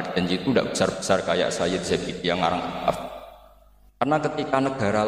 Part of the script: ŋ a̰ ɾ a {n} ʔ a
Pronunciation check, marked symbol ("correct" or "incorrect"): incorrect